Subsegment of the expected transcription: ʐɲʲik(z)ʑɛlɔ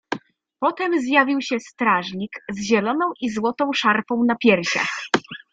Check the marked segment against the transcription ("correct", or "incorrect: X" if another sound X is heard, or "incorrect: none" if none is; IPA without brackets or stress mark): correct